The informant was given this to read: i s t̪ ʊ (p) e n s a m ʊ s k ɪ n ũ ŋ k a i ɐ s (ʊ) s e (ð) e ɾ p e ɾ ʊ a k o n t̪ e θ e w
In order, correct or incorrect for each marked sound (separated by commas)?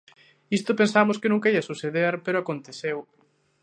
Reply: correct, incorrect, correct